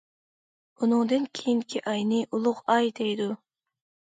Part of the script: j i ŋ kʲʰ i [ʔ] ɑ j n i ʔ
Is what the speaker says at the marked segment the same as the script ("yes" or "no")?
yes